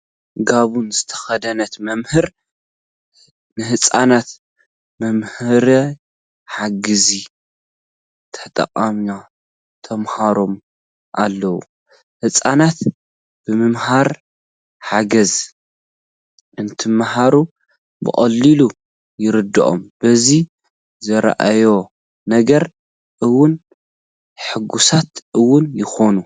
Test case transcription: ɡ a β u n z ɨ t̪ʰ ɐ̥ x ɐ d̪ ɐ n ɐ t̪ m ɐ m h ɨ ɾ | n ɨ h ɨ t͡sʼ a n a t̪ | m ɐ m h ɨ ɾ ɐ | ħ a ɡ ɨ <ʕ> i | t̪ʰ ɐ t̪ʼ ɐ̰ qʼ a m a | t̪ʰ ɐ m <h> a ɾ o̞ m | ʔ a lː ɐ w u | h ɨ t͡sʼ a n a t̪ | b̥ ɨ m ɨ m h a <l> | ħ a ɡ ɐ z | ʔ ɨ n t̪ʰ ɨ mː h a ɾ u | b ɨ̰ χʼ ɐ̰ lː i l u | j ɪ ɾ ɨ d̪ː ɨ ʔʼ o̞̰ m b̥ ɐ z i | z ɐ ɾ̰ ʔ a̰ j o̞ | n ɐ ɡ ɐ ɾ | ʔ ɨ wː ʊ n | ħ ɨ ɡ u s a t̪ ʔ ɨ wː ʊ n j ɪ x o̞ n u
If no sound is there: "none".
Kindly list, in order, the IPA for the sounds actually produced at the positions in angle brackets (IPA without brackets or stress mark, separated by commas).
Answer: z, h, ɾ